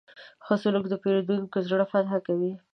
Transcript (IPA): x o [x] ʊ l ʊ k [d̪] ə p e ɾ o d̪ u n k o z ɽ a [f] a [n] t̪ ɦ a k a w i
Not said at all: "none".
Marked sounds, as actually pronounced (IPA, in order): s, d̪, f, none

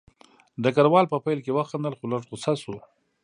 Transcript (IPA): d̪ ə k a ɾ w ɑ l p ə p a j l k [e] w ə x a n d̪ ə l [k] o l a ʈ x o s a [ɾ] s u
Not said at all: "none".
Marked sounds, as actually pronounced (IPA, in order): e, x, none

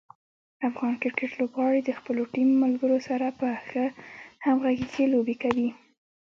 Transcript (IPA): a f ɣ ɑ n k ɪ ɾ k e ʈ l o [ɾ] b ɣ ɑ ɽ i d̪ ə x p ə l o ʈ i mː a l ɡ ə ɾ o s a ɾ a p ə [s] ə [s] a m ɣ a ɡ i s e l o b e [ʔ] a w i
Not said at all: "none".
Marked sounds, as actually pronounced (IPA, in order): none, x, h, k

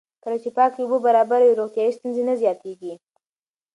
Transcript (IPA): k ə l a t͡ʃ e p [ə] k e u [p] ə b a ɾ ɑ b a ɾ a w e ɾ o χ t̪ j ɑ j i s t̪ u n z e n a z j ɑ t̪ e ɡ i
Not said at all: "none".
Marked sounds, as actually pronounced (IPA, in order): ɑ, b

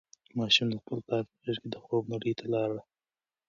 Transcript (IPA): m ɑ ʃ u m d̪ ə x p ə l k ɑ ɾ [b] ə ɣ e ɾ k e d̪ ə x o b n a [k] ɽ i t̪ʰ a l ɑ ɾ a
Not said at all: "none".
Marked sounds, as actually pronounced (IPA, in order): p, none

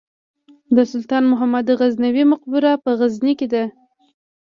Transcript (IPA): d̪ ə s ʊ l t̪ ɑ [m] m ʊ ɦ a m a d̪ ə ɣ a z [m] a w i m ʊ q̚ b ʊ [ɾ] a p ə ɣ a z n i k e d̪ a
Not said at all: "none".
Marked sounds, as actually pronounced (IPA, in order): n, n, ɾ

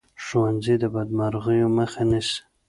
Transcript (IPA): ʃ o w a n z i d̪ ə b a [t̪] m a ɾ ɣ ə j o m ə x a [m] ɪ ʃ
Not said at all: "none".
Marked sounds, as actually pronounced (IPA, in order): d̪, n

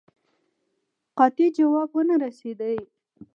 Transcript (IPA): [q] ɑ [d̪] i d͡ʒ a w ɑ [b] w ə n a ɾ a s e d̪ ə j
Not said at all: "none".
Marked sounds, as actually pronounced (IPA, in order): q, t̪, b

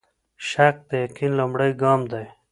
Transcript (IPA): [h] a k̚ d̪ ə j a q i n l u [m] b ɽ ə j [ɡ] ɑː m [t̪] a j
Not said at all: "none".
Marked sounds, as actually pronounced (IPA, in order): ʃ, m, ɡ, d̪

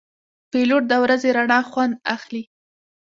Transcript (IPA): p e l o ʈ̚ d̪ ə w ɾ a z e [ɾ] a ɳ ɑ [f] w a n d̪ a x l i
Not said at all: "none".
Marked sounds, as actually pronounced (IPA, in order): ɾ, x

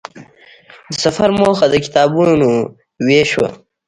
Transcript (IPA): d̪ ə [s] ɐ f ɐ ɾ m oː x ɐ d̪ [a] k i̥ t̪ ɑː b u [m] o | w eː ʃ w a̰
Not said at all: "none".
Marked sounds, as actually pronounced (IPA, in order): s, ə, n

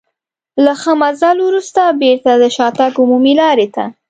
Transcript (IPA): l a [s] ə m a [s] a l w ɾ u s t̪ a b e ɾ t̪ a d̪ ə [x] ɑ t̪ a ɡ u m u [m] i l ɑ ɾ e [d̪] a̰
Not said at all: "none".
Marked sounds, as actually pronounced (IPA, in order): x, z, ʃ, m, t̪

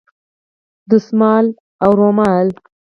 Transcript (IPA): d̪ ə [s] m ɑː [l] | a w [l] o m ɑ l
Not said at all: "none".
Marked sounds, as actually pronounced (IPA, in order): s, l, ɾ

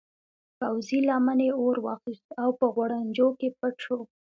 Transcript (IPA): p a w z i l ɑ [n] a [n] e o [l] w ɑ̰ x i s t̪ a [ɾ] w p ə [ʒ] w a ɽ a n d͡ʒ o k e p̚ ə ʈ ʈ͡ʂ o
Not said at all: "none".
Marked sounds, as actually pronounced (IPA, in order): m, n, ɾ, none, ɣ

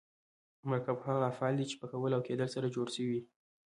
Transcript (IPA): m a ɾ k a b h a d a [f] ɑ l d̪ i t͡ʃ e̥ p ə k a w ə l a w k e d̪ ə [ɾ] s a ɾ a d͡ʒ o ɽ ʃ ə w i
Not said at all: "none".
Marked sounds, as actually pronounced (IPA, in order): f, l

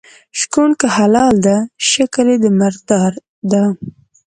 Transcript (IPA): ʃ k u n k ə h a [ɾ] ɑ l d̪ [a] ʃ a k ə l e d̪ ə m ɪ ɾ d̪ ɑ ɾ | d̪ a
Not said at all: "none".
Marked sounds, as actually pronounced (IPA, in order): l, a

